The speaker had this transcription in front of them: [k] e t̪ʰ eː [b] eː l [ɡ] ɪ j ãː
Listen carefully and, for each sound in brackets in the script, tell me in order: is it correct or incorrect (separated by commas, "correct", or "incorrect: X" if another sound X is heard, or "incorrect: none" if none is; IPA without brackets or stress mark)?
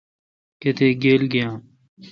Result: correct, incorrect: ɡ, correct